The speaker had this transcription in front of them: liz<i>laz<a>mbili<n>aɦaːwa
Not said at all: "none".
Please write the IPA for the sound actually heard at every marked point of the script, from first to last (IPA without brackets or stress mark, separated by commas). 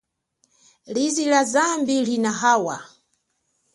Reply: i, a, n